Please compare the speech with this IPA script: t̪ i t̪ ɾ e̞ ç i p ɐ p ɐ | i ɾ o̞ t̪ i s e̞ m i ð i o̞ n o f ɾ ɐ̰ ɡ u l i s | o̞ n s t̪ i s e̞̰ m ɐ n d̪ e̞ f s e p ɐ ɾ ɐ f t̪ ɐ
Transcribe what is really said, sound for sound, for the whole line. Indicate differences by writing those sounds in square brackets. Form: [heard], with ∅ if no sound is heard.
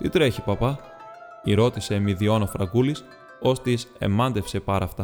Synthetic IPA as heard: t̪ i t̪ ɾ e̞ ç i p ɐ p ɐ | i ɾ o̞ t̪ i s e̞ m i ð i o̞ n o f ɾ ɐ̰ ɡ u l i s | o̞ [∅] s t̪ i s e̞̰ m ɐ n d̪ e̞ f s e p ɐ ɾ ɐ f t̪ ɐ